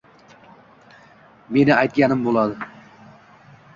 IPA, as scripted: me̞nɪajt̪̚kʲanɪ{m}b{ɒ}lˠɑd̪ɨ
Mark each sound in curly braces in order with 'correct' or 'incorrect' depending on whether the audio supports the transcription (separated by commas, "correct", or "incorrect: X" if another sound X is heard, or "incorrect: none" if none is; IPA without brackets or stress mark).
correct, incorrect: o